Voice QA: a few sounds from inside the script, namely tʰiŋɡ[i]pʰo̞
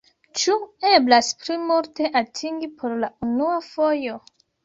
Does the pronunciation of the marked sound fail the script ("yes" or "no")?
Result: no